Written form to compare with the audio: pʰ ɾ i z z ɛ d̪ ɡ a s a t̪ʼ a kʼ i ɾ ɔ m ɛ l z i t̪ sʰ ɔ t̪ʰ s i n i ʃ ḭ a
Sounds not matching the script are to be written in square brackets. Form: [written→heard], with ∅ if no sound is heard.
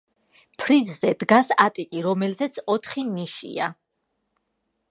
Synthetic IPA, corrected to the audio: pʰ ɾ i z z ɛ d̪ ɡ a s a t̪ʼ [a→i] kʼ i ɾ ɔ m ɛ l z [i→ɛ] t̪ sʰ ɔ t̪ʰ [s→χ] i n i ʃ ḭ a